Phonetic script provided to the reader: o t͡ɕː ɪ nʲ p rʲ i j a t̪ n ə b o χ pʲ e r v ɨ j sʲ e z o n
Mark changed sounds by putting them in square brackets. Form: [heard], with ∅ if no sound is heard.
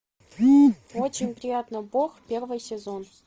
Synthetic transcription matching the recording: o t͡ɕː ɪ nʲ p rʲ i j a t̪ n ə b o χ pʲ e r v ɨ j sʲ e z o n